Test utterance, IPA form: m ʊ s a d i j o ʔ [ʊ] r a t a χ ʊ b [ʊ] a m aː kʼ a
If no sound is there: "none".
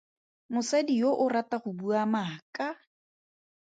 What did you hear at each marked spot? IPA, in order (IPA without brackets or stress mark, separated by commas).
ʊ, u